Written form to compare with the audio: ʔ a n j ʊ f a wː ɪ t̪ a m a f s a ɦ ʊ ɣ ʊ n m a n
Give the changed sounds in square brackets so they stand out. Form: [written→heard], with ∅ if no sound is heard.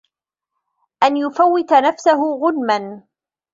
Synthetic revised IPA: ʔ a n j ʊ f a wː ɪ t̪ a [m→n] a f s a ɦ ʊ ɣ ʊ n m a n